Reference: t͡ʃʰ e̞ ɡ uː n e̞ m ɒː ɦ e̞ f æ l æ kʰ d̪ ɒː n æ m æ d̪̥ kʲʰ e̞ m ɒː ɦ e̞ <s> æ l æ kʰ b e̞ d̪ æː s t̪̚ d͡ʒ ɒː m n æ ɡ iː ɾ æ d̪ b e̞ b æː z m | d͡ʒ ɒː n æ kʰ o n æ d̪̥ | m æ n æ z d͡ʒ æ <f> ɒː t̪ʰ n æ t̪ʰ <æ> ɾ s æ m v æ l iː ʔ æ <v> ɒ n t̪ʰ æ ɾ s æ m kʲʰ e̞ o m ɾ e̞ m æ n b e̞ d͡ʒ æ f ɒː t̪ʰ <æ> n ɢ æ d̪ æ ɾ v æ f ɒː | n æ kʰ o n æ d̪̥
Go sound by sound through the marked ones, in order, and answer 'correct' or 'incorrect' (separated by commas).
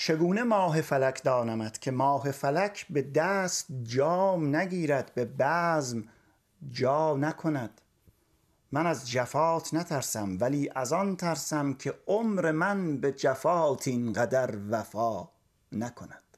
incorrect, correct, correct, incorrect, incorrect